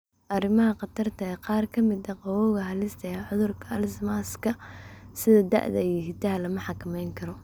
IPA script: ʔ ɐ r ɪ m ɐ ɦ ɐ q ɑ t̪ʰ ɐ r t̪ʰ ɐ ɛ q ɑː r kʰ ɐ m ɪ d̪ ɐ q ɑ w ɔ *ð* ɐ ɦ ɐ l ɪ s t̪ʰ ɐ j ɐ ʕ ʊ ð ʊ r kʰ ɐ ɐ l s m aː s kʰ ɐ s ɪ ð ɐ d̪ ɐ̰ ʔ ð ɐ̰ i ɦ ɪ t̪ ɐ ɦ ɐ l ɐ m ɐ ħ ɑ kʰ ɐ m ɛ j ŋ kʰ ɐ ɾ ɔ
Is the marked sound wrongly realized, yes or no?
yes